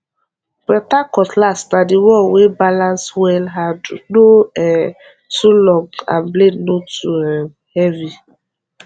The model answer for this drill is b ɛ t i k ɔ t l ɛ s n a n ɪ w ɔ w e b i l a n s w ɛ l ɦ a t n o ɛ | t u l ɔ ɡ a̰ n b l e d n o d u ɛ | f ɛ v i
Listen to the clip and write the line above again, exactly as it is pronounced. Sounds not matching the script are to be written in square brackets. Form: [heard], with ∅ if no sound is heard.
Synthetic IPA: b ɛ t [a] k ɔ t l [a] s n a [d] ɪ w ɔ w e b [a] l a n s w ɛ l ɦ a [d] n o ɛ | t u l ɔ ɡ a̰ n b l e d n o [t] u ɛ | [h] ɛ v i